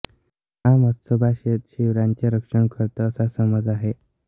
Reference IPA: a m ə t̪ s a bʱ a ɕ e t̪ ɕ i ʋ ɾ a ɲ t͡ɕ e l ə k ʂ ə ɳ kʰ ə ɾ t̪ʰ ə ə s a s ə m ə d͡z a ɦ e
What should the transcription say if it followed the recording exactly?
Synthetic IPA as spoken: a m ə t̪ s ə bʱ a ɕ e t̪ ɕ i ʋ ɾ a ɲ t͡ɕ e ɾ ə k ʂ ə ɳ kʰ ə ɾ t̪ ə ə s a s ə m ə d͡z a ɦ e